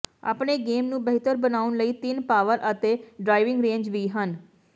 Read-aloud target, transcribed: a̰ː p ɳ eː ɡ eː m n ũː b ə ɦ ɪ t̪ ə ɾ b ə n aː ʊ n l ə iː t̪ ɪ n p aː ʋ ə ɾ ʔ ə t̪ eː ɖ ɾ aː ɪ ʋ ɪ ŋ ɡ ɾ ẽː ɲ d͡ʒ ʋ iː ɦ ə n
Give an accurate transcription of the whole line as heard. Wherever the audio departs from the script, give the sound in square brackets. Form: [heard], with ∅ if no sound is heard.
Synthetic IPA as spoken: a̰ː p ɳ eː ɡ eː m n ũː b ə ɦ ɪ t̪ ə ɾ b ə n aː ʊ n l ə iː t̪ ɪ n p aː ʋ ə ɾ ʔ ə t̪ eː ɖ ɾ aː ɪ ʋ ɪ ŋ ɡ ɾ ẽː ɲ d͡ʒ ʋ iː ɦ ə n

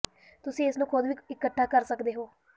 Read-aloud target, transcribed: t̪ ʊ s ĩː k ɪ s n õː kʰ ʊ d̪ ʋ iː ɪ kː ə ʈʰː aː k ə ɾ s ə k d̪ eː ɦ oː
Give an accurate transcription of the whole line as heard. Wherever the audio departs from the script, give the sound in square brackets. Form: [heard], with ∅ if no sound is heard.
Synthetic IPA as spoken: t̪ ʊ s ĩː [∅] ɪ s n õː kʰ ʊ d̪ ʋ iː ɪ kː ə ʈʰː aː k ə ɾ s ə k d̪ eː ɦ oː

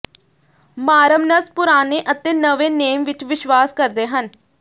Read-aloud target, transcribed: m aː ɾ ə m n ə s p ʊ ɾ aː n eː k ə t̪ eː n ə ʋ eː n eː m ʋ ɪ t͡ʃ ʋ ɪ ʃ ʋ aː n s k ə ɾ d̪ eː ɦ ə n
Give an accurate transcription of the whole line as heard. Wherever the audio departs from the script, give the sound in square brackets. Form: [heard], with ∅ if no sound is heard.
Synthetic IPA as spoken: m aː ɾ ə m n ə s p ʊ ɾ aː n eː [ʔ] ə t̪ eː n ə ʋ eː n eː m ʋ ɪ t͡ʃ ʋ ɪ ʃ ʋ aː [∅] s k ə ɾ d̪ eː ɦ ə n

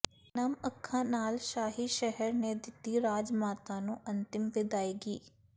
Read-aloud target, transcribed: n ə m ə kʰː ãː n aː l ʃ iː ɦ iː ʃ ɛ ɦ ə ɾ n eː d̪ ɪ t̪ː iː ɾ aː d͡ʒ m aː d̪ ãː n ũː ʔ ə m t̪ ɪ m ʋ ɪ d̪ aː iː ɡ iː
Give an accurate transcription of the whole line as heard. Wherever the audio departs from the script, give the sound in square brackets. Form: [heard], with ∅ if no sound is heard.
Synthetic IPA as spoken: n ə m ə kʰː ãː n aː l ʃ [aː] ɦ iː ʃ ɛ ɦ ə ɾ n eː d̪ ɪ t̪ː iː ɾ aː d͡ʒ m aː [t̪] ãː n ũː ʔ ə [n] t̪ ɪ m ʋ ɪ d̪ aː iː ɡ iː

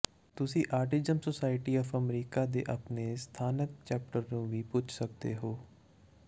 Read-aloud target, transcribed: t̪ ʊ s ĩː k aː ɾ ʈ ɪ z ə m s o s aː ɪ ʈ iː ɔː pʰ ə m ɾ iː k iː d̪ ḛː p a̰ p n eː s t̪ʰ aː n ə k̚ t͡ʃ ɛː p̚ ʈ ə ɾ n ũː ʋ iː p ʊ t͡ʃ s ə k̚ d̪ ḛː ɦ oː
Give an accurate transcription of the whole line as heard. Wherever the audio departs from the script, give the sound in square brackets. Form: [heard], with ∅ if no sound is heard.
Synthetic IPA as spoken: t̪ ʊ s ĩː [ʔ] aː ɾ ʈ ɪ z ə m s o s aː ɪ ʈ iː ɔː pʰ ə m ɾ iː k [aː] d̪ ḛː [ʔ] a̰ p n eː s t̪ʰ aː n ə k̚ t͡ʃ ɛː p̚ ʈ ə ɾ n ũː ʋ iː p ʊ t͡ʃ s ə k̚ d̪ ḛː ɦ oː

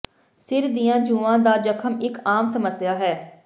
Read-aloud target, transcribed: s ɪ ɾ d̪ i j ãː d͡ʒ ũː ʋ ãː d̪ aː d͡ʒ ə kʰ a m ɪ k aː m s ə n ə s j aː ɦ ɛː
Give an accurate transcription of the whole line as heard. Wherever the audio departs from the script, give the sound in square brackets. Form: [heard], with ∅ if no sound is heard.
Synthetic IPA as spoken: s ɪ ɾ d̪ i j ãː d͡ʒ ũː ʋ ãː d̪ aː d͡ʒ ə kʰ [ə] m ɪ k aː m s ə [m] ə s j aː ɦ ɛː

